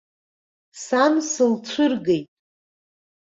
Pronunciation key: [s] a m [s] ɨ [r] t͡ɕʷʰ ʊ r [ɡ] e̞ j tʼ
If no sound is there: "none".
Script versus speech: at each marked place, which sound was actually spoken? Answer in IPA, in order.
s, s, l, ɡ

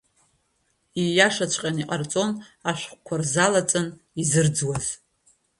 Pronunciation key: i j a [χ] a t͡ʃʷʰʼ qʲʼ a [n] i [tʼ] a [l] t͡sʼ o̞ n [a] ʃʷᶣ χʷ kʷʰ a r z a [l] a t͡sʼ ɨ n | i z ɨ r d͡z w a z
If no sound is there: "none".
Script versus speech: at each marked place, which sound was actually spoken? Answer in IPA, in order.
ʂ, n, qʼ, r, a, l

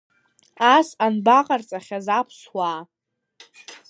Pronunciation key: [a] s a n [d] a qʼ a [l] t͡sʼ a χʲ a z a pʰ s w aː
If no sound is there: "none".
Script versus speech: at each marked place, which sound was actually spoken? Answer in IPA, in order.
a, b, r

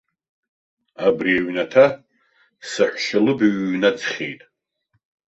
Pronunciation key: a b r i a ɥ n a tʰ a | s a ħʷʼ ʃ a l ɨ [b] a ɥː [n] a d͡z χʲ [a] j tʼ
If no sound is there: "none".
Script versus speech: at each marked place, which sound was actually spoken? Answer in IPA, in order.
b, n, e

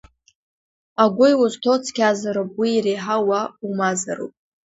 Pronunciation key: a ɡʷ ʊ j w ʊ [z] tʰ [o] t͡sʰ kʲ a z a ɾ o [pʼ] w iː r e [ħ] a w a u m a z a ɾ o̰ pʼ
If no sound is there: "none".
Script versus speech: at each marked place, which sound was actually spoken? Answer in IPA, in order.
z, o, pʼ, ħ

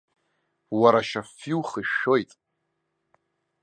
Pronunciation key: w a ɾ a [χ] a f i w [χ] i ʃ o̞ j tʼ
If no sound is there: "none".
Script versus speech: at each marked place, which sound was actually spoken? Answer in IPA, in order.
ʃ, χ

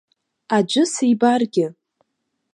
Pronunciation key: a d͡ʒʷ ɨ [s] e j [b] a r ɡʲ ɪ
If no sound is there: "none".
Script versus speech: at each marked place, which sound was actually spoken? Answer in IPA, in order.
s, b

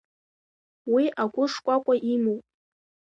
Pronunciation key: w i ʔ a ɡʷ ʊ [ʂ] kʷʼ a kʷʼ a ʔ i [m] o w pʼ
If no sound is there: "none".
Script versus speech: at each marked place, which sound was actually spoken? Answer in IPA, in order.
ʂ, m

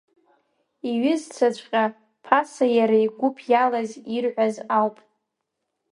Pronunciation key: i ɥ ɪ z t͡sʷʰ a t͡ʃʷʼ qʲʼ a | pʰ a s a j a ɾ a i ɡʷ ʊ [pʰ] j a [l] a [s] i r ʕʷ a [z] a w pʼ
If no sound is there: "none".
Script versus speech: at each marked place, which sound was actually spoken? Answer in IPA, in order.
pʰ, l, z, z

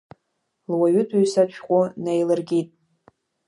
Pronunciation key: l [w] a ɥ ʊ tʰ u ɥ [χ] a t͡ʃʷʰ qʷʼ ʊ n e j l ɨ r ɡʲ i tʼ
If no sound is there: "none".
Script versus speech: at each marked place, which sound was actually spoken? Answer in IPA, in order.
w, s

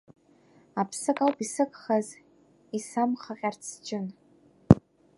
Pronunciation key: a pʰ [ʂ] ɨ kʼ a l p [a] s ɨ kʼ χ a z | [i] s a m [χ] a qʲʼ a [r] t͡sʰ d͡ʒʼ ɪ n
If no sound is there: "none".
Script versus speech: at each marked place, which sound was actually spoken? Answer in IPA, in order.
s, i, i, χ, r

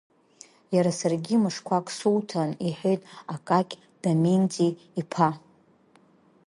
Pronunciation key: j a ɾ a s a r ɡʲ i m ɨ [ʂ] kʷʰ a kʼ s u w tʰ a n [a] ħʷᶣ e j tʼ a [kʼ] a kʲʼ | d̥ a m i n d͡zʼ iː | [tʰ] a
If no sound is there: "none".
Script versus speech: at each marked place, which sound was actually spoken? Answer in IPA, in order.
ʂ, i, kʼ, pʰ

